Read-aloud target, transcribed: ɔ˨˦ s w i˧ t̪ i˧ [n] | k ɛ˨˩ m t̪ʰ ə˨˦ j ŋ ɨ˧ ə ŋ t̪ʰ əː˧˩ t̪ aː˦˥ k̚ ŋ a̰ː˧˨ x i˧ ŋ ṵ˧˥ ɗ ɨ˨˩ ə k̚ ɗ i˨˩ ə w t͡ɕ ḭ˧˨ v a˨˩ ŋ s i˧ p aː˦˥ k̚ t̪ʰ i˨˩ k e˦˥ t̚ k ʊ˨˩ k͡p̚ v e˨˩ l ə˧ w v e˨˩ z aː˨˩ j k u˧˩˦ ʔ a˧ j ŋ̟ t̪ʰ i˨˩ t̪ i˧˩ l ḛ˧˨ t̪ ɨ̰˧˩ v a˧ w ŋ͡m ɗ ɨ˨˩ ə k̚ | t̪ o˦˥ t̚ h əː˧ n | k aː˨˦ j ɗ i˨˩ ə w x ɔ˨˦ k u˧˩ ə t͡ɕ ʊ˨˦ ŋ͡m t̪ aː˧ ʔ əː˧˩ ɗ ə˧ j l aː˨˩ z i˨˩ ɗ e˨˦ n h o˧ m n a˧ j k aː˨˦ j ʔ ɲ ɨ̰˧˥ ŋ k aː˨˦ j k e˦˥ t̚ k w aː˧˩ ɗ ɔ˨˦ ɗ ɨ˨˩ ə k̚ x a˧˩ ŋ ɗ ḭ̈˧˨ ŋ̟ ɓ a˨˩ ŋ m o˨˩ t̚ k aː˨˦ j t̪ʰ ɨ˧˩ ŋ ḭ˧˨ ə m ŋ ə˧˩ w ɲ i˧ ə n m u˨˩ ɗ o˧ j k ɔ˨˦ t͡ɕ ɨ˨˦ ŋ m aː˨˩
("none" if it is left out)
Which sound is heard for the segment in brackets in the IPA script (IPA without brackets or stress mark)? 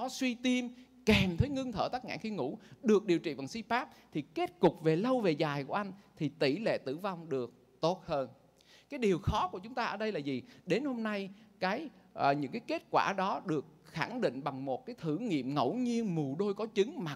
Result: m